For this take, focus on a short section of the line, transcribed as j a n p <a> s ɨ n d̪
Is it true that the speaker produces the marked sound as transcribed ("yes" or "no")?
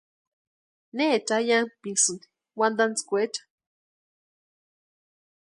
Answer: no